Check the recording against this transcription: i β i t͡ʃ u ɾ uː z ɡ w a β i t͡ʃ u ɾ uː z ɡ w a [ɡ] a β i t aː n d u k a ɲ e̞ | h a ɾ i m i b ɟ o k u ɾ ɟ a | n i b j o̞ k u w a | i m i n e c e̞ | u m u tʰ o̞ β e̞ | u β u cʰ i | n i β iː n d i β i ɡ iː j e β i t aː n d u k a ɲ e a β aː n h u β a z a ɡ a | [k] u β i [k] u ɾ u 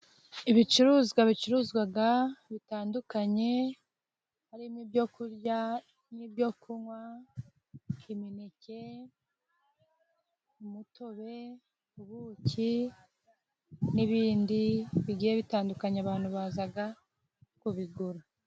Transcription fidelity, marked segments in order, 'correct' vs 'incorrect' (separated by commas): correct, correct, incorrect